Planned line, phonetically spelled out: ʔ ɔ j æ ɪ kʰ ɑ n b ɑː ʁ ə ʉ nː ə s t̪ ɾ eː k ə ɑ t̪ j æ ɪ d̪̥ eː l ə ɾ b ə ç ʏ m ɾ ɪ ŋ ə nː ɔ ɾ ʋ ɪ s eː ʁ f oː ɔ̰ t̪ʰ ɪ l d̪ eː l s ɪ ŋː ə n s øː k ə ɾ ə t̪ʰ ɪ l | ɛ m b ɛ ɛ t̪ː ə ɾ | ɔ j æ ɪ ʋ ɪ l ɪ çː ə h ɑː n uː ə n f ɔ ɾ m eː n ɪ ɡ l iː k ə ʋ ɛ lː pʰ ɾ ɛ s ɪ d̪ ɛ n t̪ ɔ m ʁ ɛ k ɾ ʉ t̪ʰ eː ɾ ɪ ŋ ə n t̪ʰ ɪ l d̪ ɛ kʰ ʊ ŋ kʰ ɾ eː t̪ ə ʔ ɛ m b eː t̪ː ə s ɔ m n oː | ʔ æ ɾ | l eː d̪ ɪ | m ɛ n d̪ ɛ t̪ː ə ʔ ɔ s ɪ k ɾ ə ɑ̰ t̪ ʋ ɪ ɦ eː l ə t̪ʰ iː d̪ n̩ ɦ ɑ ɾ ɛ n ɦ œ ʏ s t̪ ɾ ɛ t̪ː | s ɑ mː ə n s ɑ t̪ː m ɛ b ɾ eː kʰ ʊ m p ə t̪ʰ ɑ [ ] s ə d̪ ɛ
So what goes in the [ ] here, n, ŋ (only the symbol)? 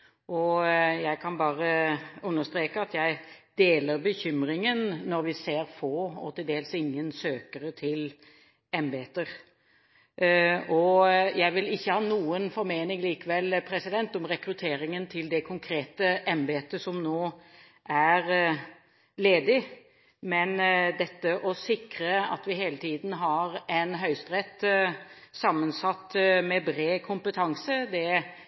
ŋ